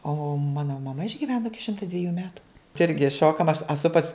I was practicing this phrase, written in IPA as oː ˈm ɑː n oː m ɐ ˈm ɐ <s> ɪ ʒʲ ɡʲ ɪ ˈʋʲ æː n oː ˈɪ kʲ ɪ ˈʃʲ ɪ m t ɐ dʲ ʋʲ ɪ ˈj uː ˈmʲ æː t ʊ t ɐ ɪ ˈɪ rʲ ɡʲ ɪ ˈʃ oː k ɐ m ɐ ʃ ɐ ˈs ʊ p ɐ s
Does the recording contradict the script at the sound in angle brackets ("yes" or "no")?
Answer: yes